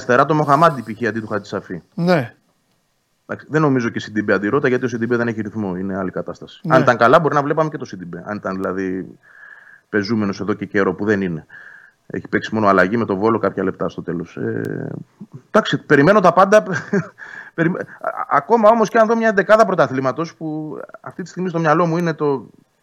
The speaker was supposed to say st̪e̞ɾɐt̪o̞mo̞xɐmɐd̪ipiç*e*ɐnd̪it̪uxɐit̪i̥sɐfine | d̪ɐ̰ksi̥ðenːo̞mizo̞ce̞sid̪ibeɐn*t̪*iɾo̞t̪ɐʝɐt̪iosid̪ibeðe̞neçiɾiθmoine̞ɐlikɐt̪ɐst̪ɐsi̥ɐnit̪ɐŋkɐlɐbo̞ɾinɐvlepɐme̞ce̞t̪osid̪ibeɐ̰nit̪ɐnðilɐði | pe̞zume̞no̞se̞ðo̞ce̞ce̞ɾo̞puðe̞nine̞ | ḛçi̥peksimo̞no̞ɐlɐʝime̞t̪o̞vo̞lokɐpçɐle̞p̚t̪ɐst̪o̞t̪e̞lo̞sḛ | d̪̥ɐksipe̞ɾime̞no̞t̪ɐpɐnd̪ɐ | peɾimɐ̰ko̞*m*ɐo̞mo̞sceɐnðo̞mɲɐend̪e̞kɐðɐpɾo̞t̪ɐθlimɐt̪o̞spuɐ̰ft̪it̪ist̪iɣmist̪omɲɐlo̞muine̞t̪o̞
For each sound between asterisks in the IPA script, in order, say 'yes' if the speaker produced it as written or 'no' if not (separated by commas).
no, no, yes